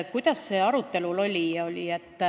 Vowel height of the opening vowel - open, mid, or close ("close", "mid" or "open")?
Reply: close